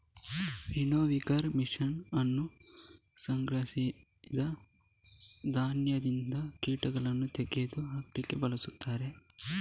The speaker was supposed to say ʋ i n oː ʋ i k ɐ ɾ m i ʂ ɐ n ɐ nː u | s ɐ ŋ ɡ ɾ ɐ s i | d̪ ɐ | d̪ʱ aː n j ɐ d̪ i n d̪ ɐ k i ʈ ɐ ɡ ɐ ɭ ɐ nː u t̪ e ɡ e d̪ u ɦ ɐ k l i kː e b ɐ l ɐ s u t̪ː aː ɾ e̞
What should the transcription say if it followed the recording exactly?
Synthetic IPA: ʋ i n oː ʋ i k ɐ ɾ m i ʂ ɐ n ɐ nː u | s ɐ ŋ ɡ ɾ ɐ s i | d̪ ɐ | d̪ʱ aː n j ɐ d̪ i n d̪ ɐ k iː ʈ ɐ ɡ ɐ ɭ ɐ nː u t̪ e ɡ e d̪ u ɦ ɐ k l i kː e b ɐ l ɐ s u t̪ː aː ɾ e̞

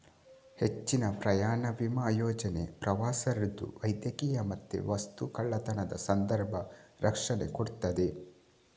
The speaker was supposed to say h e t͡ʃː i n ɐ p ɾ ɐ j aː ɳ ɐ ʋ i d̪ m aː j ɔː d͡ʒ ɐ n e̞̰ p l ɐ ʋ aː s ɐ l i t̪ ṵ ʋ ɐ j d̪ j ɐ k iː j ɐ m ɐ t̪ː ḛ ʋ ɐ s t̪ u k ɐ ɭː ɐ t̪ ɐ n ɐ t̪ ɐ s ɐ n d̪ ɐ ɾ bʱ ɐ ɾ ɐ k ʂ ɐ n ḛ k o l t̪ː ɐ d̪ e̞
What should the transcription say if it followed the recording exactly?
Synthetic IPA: h e t͡ʃː i n ɐ p ɾ ɐ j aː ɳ ɐ ʋ i m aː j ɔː d͡ʒ ɐ n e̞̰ p ɾ ɐ ʋ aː s ɐ ɾ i d̪ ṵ ʋ ɐ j d̪ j ɐ k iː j ɐ m ɐ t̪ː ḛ ʋ ɐ s t̪ u k ɐ ɭː ɐ t̪ ɐ n ɐ d̪ ɐ s ɐ n d̪ ɐ ɾ bʱ ɐ ɾ ɐ k ʂ ɐ n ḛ k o ɽ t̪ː ɐ d̪ e̞

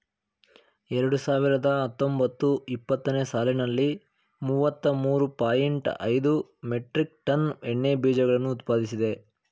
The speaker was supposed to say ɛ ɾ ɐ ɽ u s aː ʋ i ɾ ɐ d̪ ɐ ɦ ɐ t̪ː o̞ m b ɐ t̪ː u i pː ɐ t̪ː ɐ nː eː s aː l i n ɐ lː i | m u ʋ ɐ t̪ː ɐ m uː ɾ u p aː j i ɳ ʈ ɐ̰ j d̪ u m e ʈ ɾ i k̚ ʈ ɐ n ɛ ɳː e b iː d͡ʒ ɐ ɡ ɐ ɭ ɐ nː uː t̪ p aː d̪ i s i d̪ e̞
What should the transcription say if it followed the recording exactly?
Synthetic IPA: ɛ ɾ ɐ ɽ u s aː ʋ i ɾ ɐ d̪ ɐ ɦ ɐ t̪ː o̞ m b ɐ t̪ː u i pː ɐ t̪ː ɐ n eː s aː l i n ɐ lː i | m u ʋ ɐ t̪ː ɐ m uː ɾ u p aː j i ɳ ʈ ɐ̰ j d̪ u m e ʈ ɾ i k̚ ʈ ɐ n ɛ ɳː e b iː d͡ʒ ɐ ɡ ɐ ɭ ɐ nː uː t̪ p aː d̪ i s i d̪ e̞

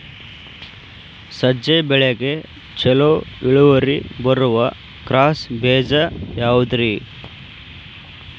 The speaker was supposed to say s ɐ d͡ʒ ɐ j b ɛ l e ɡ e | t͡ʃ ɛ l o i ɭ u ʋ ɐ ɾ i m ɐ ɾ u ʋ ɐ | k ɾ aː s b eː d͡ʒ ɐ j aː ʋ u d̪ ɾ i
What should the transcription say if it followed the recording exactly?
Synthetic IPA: s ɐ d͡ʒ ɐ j b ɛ ɭ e ɡ e | t͡ʃ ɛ l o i ɭ u ʋ ɐ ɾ i b ɐ ɾ u ʋ ɐ | k ɾ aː s b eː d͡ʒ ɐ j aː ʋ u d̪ ɾ i

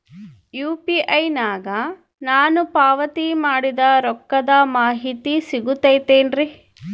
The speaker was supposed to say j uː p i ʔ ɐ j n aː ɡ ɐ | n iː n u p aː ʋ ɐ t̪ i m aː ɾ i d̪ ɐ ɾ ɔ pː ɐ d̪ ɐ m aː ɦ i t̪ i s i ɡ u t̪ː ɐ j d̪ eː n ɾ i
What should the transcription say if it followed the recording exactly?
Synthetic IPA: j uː p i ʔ ɐ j n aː ɡ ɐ | n aː n u p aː ʋ ɐ t̪ i m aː ɽ i d̪ ɐ ɾ ɔ kː ɐ d̪ ɐ m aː ɦ i t̪ i s i ɡ u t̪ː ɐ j t̪ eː n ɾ i

